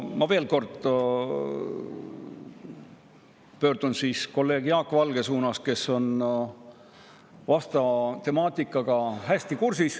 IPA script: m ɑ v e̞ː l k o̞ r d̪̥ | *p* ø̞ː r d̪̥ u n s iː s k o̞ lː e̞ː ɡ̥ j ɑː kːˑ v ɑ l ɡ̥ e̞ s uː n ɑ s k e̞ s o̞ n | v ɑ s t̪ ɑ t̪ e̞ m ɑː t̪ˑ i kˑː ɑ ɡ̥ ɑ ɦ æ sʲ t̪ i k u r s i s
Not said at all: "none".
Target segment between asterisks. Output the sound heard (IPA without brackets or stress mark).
p